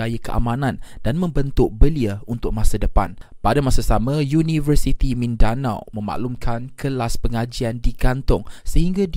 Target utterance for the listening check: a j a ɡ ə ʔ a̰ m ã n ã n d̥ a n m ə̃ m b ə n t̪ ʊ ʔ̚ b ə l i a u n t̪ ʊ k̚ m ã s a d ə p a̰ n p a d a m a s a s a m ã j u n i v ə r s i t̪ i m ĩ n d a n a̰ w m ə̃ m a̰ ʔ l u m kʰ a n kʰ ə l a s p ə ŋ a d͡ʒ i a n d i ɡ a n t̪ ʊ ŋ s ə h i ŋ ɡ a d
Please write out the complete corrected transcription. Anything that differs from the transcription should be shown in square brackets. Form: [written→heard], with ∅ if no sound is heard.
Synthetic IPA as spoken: a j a [ɡ→k] ə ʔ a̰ m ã n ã n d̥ a n m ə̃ m b ə n t̪ ʊ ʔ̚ b ə l i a u n t̪ ʊ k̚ m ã s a d ə p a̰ n p a d a m a s a s a m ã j u n i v ə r s i t̪ i m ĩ n d a n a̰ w m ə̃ m a̰ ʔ l u m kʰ a n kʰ ə l a s p ə ŋ a d͡ʒ i a n d i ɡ a n t̪ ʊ ŋ s ə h i ŋ ɡ a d